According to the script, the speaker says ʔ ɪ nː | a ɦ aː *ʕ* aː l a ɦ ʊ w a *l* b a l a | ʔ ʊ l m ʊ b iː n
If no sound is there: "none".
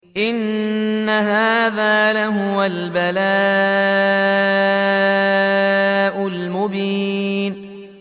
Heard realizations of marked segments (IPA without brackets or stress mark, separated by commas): ð, l